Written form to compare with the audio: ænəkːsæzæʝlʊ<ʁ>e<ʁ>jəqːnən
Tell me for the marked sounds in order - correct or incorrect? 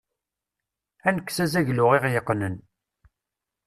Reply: correct, correct

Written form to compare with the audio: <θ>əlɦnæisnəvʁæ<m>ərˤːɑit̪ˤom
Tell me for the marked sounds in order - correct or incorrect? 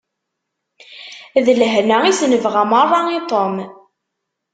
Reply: incorrect, correct

